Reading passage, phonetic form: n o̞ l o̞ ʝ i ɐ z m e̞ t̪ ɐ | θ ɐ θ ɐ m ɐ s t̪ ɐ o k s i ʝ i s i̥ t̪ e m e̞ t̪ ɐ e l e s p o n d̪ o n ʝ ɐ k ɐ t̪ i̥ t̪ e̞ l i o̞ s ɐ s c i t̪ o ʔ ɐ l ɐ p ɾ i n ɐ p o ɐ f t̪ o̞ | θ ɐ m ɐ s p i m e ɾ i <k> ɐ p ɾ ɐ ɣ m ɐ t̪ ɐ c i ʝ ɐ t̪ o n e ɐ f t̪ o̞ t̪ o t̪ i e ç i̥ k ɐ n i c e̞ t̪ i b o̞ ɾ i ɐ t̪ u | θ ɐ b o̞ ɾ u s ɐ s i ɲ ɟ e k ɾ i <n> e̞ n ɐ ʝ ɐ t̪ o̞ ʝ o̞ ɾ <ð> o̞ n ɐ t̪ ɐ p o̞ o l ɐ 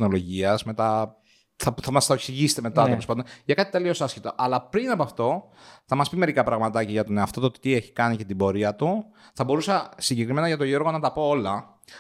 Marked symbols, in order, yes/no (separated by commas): yes, no, no